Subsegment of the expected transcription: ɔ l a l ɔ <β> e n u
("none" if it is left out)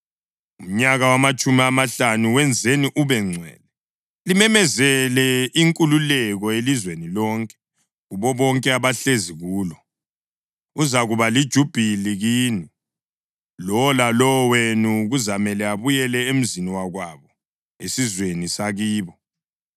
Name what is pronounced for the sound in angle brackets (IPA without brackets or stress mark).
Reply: w